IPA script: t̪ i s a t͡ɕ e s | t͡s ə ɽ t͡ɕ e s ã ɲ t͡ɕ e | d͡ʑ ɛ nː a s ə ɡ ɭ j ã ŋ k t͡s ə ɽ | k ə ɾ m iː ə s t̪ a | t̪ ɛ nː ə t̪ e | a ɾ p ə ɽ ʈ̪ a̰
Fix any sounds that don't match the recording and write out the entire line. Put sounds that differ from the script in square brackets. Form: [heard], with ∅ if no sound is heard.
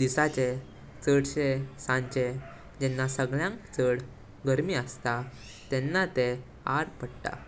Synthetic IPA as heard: [d̪] i s a t͡ɕ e [∅] | t͡s ə ɽ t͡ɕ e s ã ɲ t͡ɕ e | d͡ʑ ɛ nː a s ə ɡ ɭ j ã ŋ k t͡s ə ɽ | [ɡ] ə ɾ m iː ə s t̪ a | t̪ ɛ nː [a] t̪ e | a ɾ p ə ɽ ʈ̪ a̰